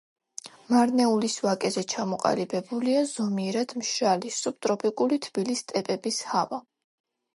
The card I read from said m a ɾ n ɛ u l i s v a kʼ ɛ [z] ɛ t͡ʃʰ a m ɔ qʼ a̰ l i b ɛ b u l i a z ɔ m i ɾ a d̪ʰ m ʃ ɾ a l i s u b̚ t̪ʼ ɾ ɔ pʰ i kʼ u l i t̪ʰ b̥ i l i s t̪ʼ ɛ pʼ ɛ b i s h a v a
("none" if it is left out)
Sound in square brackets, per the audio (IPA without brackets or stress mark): z